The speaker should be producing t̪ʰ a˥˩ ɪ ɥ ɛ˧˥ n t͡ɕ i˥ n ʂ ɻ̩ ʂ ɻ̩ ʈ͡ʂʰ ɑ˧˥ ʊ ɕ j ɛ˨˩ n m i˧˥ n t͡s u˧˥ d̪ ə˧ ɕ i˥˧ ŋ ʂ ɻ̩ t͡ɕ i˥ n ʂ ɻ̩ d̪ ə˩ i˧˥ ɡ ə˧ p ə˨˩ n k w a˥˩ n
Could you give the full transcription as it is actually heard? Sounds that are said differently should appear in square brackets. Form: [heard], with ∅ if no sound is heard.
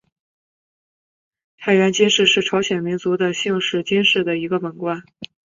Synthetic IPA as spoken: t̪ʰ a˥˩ ɪ ɥ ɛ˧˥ n t͡ɕ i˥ n ʂ ɻ̩ ʂ ɻ̩ ʈ͡ʂʰ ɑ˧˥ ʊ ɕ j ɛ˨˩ n m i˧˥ n t͡s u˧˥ d̪ ə˧ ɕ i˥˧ ŋ ʂ ɻ̩ t͡ɕ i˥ n ʂ ɻ̩ d̪ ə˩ i˧˥ ɡ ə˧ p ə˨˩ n k w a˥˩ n